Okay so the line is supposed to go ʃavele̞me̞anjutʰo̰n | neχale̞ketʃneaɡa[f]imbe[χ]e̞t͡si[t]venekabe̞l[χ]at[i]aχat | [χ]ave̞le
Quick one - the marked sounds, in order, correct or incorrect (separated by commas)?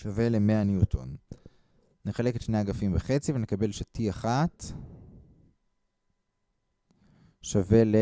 correct, correct, incorrect, incorrect, correct, incorrect